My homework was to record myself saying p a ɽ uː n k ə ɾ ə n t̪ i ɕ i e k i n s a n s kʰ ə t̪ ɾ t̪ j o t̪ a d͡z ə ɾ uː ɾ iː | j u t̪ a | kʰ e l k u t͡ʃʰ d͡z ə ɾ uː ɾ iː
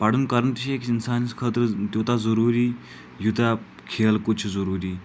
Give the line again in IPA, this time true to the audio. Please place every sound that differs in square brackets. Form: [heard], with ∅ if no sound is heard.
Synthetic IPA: p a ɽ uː n k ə ɾ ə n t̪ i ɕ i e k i n s a n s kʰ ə t̪ ɾ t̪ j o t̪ a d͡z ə ɾ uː ɾ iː | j u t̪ a | kʰ e l k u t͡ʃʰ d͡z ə ɾ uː ɾ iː